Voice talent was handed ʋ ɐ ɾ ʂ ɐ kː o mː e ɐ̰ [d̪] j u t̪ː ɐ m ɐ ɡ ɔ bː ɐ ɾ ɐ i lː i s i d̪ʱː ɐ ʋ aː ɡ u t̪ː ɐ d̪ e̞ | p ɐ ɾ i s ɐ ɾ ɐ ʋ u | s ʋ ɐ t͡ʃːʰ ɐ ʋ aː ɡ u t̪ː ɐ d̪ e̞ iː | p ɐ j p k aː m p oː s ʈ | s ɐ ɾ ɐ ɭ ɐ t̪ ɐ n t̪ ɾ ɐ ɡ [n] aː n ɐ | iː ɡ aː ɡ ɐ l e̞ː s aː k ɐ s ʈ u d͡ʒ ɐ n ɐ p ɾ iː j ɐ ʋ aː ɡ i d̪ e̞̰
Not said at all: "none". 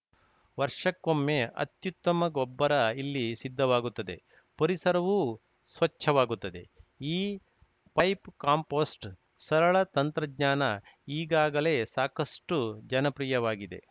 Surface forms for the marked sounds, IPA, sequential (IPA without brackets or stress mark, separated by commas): t̪, ɲ